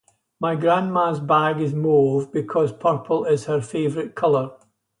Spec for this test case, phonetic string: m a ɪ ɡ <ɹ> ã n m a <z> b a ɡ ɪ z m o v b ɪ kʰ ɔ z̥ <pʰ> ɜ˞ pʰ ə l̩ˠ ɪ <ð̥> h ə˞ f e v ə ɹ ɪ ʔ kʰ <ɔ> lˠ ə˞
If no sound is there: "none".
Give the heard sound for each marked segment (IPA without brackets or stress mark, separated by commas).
ɹ, z, pʰ, z̥, ʌ